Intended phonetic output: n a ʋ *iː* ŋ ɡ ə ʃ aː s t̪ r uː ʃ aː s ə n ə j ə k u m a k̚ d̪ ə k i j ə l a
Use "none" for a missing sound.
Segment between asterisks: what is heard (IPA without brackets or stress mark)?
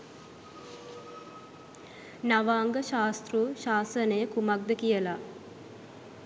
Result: aː